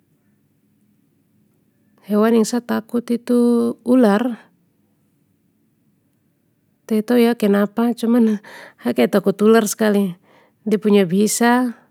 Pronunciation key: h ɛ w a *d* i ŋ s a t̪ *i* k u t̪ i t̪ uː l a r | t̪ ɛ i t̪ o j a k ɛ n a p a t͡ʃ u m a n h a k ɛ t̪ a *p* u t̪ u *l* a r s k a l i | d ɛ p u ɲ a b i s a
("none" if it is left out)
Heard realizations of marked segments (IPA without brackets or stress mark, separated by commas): n, a, k, l